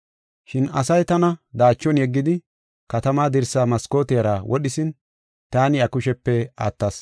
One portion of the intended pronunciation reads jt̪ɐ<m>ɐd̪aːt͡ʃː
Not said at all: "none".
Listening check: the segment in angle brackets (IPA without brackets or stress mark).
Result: n